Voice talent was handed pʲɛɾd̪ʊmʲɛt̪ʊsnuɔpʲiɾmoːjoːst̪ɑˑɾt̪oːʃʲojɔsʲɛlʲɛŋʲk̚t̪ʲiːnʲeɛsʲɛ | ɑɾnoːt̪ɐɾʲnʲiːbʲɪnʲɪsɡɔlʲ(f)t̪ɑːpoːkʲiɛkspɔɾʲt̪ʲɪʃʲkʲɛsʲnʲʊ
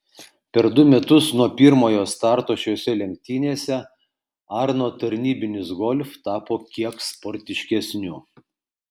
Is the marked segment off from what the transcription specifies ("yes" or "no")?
no